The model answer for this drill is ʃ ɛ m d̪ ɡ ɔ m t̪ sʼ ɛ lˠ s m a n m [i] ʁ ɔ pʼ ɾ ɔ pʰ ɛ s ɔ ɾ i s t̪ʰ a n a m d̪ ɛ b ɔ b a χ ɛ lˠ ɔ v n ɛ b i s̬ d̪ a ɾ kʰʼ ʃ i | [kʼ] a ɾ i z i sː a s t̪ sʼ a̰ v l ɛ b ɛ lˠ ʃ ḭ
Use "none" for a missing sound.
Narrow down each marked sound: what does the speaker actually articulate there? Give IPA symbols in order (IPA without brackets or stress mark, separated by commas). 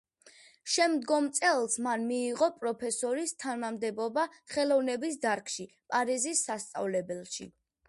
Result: iː, pʼ